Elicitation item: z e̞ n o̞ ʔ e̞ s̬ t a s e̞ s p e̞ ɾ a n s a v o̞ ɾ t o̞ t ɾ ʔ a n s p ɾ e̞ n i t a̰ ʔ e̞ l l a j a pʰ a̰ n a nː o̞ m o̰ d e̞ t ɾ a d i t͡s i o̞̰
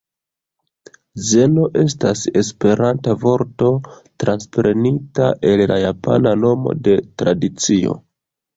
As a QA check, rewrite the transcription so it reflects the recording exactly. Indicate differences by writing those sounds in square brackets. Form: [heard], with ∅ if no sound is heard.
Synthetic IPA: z e̞ n o̞ ʔ e̞ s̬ t a s e̞ s p e̞ ɾ a n [t] a v o̞ ɾ t o̞ t ɾ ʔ a n s p ɾ e̞ n i t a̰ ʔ e̞ l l a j a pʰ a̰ n a [n] o̞ m o̰ d e̞ t ɾ a d i t͡s i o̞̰